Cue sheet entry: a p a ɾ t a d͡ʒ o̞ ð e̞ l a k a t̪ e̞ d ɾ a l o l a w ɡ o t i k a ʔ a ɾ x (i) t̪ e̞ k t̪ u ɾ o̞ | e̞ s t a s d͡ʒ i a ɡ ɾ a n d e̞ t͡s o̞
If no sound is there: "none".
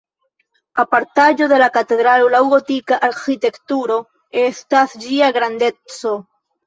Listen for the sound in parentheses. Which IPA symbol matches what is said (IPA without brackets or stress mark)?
i